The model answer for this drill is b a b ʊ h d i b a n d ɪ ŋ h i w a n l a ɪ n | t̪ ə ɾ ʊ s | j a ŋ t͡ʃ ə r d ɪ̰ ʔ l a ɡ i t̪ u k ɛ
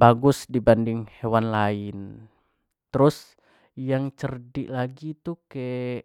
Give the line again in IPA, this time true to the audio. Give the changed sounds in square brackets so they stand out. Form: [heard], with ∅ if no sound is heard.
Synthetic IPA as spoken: b a [ɡ] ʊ [s] d i b a n d ɪ ŋ h [e] w a n l a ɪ n | t̪ ə ɾ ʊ s | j a ŋ t͡ʃ ə r d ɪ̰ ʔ l a ɡ i t̪ u k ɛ

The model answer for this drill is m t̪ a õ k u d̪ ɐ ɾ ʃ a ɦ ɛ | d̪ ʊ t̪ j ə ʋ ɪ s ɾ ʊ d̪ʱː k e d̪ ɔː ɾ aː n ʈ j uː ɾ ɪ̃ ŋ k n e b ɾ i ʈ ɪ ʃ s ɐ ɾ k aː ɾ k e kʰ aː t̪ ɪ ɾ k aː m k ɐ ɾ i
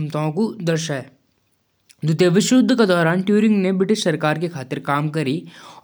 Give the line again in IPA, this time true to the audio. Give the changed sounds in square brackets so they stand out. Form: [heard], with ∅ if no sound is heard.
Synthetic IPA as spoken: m t̪ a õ k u d̪ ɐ ɾ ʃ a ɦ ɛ | d̪ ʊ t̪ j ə ʋ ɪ [ʃ] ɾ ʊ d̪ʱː k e d̪ ɔː ɾ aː n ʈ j uː ɾ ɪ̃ ŋ [ɡ] n e b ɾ [ɪ] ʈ ɪ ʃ s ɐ ɾ k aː ɾ k e kʰ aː t̪ ɪ ɾ k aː m k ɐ ɾ i

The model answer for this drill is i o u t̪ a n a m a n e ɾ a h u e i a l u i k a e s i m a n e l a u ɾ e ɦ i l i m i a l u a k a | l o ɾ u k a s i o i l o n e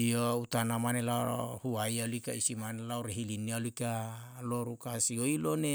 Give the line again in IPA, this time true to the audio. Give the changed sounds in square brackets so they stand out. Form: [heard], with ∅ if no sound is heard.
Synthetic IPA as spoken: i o u t̪ a n a m a n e [l] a h u [a] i a l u i k a [i] s i m a n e l a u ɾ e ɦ i l i [n] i a l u [i] k a | l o ɾ u k a s i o i l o n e

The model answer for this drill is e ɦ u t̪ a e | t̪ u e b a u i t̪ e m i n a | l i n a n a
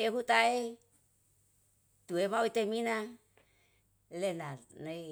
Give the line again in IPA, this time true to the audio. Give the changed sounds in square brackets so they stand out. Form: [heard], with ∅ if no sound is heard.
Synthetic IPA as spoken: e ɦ u t̪ a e | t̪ u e [m] a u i t̪ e m i n a | l [e] n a n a

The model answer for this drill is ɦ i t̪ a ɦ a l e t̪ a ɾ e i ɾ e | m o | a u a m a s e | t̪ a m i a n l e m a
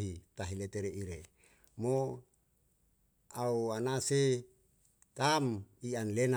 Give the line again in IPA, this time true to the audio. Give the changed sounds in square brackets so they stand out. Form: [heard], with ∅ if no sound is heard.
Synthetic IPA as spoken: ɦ i t̪ a ɦ [i] l e t̪ [e] ɾ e i ɾ e | m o | a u a [n] a s e | t̪ a m i a n l e [n] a

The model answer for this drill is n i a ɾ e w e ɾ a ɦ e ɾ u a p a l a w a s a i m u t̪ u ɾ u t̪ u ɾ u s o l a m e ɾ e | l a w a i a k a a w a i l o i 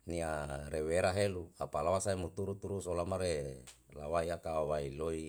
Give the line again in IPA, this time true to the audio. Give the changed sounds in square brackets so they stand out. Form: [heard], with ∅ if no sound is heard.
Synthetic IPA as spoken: n i a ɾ e w e ɾ a ɦ e [l] u a p a l a w a s a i m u t̪ u ɾ u t̪ u ɾ u s o l a m [a] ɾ e | l a w a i a k a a w a i l o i

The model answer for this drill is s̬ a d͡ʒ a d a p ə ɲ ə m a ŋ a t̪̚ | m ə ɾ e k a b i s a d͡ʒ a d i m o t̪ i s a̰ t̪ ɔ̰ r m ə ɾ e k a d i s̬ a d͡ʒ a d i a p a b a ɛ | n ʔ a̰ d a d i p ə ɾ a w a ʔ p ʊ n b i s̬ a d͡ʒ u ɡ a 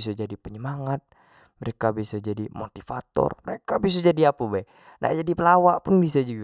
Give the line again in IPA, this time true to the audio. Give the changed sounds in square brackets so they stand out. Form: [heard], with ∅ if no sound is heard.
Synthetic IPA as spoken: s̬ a d͡ʒ a d [i] p ə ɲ ə m a ŋ a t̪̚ | m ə ɾ e k a b i s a d͡ʒ a d i m o t̪ i [f] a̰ t̪ ɔ̰ r m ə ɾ e k a [b] i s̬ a d͡ʒ a d i a p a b a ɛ | n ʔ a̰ [d͡ʒ] a d i p ə [l] a w a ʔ p ʊ n b i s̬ a d͡ʒ u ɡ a

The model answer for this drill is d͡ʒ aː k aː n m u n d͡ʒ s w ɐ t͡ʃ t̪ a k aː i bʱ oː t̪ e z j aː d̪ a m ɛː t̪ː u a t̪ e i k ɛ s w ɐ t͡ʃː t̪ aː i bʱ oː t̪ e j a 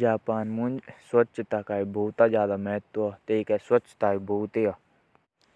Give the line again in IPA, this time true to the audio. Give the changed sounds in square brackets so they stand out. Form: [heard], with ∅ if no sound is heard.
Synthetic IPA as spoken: d͡ʒ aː [p] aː n m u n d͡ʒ s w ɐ t͡ʃ t̪ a k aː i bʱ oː t̪ [a] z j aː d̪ a m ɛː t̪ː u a t̪ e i k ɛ s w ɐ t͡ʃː t̪ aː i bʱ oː t̪ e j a

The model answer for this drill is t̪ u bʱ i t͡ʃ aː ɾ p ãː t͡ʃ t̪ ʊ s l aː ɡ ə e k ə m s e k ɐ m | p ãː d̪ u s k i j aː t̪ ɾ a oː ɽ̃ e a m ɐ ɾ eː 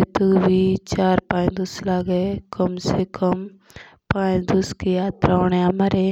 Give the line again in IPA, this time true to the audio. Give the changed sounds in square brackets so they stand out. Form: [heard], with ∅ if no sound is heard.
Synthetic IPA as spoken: t̪ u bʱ i t͡ʃ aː ɾ p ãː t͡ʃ [d̪] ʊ s l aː ɡ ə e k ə m s e k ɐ m | p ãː d̪ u s k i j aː t̪ ɾ a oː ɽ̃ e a m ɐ ɾ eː

